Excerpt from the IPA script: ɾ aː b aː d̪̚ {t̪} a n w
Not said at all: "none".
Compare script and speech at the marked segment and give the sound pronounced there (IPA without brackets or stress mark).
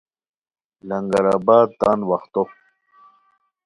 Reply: t̪